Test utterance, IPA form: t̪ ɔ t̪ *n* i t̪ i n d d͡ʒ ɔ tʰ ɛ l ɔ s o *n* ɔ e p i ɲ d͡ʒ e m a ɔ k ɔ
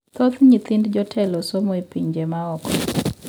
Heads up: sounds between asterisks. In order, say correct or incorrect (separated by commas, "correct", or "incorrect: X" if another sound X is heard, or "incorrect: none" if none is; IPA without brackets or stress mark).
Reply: incorrect: ɲ, incorrect: m